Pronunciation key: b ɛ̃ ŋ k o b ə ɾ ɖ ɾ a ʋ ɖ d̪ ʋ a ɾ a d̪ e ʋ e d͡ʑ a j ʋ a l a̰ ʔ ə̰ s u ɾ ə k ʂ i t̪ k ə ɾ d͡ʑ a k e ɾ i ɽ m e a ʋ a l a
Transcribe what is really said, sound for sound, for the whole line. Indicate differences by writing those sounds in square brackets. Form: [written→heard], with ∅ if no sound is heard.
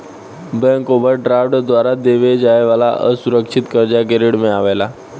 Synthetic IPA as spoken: b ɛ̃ ŋ k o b ə ɾ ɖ ɾ a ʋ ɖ d̪ ʋ a ɾ a d̪ e ʋ e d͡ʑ a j ʋ a l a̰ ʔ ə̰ s u ɾ ə k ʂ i t̪ k ə ɾ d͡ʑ a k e ɾ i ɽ m e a ʋ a l a